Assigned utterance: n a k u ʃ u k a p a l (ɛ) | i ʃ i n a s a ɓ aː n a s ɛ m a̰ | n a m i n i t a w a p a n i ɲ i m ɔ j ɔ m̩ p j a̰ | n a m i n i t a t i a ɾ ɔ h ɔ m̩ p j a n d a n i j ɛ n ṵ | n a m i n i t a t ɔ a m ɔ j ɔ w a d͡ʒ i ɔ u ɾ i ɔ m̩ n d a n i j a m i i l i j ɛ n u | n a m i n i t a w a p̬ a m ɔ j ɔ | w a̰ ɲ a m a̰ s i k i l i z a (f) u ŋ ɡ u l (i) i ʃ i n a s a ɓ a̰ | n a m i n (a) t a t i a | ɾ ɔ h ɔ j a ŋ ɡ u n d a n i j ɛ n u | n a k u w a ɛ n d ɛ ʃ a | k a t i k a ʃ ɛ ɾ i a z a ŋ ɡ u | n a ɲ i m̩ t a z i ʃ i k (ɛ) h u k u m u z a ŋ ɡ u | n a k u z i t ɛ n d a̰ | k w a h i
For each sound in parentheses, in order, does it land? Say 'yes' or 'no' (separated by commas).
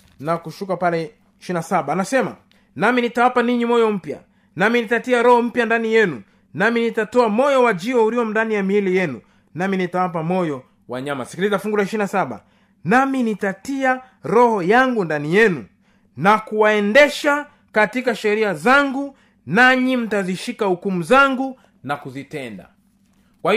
yes, yes, no, no, no